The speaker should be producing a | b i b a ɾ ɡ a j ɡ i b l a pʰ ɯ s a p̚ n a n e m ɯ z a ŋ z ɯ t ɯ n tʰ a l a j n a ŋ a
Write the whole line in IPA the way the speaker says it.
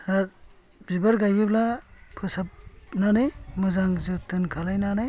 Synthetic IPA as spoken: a | b i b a ɾ ɡ a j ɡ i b l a pʰ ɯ s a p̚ n a n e m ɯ z a ŋ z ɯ t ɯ n kʰ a l a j n a n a